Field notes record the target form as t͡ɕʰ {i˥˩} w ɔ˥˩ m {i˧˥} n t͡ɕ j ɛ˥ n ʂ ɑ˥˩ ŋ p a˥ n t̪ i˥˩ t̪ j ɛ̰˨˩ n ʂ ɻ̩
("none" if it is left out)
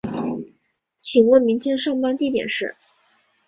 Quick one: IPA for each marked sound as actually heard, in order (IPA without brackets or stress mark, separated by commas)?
i˨˩, i˧˥